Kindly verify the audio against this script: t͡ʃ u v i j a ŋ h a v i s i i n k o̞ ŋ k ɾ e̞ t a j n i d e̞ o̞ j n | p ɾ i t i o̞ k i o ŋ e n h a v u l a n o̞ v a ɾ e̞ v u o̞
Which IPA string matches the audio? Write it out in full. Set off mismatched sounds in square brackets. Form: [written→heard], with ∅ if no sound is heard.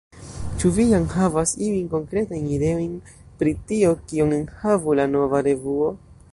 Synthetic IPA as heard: t͡ʃ u v i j a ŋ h a v [i→a] s i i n k o̞ ŋ k ɾ e̞ t a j n i d e̞ o̞ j n | p ɾ i t i o̞ k i o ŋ e n h a v u l a n o̞ v a ɾ e̞ v u o̞